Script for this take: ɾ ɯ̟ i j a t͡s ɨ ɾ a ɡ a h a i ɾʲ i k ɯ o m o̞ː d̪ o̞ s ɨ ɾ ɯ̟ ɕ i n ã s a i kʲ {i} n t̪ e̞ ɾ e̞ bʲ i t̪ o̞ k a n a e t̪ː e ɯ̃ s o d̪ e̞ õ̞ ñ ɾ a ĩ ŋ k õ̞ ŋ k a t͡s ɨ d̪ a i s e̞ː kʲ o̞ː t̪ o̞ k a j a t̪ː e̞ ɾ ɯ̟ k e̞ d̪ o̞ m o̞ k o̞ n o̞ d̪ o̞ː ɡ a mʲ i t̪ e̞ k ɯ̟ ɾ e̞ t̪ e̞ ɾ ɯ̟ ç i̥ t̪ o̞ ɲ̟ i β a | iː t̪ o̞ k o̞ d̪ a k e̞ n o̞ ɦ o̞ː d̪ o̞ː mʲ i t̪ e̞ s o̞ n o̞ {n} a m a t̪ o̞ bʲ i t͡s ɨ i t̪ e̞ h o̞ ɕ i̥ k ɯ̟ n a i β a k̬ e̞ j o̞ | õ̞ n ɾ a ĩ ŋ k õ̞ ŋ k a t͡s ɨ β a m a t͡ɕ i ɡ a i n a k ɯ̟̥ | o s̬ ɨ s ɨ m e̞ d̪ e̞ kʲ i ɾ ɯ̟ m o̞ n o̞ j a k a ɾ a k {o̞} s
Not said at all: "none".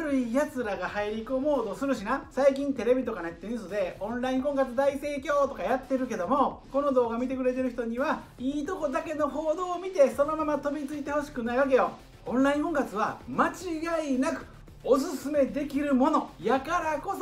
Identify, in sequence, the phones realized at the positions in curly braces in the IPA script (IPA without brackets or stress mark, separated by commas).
ĩ, m, o̞